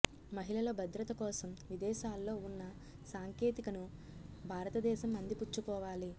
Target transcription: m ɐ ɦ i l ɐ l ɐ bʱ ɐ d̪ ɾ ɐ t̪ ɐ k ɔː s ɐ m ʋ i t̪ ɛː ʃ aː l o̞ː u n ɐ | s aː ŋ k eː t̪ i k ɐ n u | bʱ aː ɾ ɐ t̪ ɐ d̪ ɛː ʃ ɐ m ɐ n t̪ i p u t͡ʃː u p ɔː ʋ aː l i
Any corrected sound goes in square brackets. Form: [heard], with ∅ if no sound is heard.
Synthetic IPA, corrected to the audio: m ɐ ɦ i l ɐ l ɐ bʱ ɐ d̪ ɾ ɐ t̪ ɐ k ɔː s ɐ m ʋ i [d̪] ɛː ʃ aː [lː] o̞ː u [nː] ɐ | s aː ŋ k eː t̪ i k ɐ n u | bʱ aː ɾ ɐ t̪ ɐ d̪ ɛː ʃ ɐ m ɐ n [d̪] i p u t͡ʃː u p ɔː ʋ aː l i